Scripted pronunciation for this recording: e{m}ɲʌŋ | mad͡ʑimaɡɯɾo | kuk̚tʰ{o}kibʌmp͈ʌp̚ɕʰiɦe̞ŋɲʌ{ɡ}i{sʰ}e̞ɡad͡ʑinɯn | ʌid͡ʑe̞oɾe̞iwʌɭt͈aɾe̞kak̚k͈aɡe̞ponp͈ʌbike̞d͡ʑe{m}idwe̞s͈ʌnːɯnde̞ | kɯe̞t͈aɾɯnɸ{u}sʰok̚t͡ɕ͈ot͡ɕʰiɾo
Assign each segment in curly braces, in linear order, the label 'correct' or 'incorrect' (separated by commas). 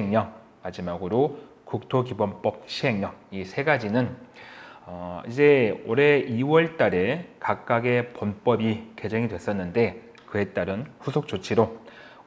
incorrect, correct, incorrect, correct, incorrect, correct